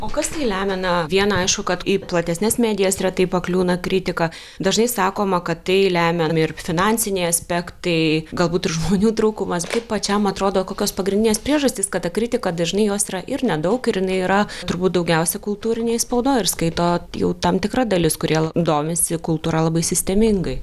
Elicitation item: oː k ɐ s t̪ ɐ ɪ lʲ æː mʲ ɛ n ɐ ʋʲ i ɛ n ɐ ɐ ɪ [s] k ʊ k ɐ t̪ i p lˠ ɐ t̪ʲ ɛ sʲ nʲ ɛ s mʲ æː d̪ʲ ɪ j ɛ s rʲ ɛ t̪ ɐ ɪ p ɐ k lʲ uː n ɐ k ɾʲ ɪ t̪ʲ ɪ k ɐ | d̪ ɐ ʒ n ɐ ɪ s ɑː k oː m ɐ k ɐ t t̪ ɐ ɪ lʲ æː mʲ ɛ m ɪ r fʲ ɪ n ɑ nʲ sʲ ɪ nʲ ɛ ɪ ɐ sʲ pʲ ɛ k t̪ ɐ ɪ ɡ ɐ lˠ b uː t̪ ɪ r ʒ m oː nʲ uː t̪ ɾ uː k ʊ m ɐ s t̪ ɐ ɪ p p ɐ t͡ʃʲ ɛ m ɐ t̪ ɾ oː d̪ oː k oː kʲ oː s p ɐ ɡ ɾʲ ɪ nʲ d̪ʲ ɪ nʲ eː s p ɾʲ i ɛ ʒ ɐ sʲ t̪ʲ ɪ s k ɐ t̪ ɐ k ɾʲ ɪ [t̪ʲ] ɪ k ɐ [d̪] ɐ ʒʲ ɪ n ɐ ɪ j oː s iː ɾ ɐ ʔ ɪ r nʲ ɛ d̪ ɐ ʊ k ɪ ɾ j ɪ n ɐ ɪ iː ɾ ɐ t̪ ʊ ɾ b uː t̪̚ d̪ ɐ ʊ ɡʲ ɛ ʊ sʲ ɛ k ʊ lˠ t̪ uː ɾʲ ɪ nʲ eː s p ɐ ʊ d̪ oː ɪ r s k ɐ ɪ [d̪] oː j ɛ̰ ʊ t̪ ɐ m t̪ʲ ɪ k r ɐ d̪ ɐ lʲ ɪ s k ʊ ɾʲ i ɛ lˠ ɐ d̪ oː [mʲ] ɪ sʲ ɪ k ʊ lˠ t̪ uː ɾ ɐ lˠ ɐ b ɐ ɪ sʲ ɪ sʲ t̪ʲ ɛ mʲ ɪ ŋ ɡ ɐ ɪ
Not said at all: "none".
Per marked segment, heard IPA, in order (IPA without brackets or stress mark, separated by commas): ʃ, t̪ʲ, d̪, t̪, mʲ